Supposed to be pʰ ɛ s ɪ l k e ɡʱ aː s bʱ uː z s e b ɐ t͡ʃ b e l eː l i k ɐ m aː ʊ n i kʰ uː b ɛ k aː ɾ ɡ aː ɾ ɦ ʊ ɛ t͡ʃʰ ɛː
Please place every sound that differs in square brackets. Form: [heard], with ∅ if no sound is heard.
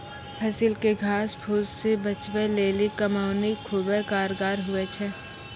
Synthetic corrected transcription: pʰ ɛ s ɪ l k e ɡʱ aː s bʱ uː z s e b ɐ t͡ʃ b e l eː l i k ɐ m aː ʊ n i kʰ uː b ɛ k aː ɾ ɡ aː ɾ ɦ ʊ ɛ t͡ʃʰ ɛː